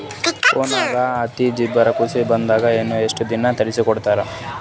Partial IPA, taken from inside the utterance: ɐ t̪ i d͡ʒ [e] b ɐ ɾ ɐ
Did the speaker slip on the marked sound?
yes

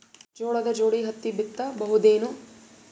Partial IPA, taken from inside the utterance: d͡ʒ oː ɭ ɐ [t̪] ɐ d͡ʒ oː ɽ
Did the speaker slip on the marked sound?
yes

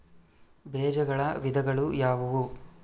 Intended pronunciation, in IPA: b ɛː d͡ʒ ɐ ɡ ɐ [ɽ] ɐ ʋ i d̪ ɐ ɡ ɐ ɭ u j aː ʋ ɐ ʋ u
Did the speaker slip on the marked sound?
yes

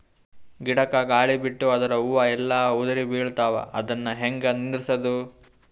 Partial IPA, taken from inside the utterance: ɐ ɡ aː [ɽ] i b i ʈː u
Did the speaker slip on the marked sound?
yes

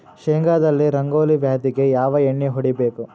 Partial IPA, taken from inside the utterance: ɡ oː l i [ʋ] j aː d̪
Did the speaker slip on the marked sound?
no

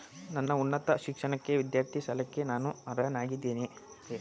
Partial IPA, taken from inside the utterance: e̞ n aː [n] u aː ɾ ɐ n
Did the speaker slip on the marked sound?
no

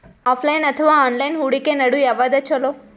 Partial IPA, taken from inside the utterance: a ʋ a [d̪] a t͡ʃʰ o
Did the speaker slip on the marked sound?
no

